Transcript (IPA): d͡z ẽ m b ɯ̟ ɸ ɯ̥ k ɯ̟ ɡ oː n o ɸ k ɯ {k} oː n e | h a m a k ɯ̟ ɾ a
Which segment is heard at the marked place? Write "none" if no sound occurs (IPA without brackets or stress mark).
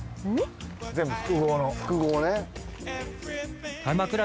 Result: ɡ